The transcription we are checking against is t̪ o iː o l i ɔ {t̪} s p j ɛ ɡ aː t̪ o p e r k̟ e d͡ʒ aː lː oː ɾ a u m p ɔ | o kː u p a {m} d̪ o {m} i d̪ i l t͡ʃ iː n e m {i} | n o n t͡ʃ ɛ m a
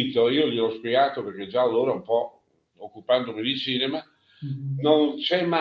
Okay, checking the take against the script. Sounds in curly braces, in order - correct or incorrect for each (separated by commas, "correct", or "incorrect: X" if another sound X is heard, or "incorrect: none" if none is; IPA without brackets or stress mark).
incorrect: none, incorrect: n, correct, incorrect: a